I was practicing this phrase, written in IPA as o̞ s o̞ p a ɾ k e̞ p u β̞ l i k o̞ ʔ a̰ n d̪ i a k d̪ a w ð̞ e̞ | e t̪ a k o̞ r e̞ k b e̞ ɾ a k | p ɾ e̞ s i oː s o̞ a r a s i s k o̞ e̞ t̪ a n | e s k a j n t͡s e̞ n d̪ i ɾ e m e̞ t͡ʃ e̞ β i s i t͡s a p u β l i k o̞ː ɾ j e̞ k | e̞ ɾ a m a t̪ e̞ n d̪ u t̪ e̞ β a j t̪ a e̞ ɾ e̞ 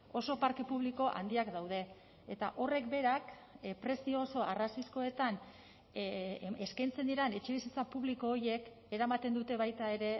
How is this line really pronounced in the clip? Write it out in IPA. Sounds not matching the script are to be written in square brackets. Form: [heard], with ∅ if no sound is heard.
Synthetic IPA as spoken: o̞ s o̞ p a ɾ k e̞ p u β̞ l i k o̞ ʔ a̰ n d̪ i a k d̪ a w ð̞ e̞ | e t̪ a [ʔ] o̞ r e̞ k b e̞ ɾ a k | p ɾ e̞ s i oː s o̞ a r a s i s k o̞ e̞ t̪ a n | e s k a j n t͡s e̞ n d̪ i ɾ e [n] e̞ t͡ʃ e̞ β i s i t͡s a p u β l i k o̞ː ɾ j e̞ k | e̞ ɾ a m a t̪ e̞ n d̪ u t̪ e̞ β a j t̪ a e̞ ɾ e̞